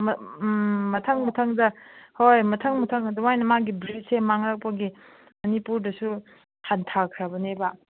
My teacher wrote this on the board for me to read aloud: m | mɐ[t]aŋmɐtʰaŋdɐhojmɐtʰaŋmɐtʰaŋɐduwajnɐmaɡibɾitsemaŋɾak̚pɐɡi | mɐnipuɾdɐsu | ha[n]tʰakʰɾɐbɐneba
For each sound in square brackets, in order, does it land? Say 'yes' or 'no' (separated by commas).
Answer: no, yes